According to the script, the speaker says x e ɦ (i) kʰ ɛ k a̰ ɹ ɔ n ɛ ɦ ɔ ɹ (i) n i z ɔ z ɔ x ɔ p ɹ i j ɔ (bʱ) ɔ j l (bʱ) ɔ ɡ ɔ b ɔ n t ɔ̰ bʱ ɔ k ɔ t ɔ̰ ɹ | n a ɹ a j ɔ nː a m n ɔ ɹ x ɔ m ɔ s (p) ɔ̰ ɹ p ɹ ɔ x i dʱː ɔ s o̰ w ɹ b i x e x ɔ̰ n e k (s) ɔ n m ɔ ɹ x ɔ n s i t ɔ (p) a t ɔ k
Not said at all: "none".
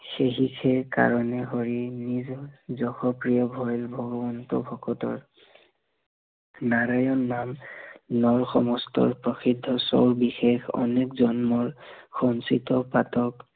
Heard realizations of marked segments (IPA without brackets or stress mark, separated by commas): i, i, bʱ, bʱ, t, z, p